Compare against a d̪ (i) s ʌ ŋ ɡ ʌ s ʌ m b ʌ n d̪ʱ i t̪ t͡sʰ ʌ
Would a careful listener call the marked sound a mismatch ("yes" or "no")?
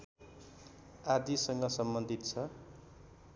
no